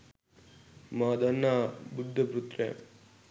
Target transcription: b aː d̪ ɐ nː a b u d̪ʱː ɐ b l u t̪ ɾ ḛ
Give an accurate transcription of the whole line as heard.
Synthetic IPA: m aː d̪ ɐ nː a b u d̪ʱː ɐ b ɾ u t̪ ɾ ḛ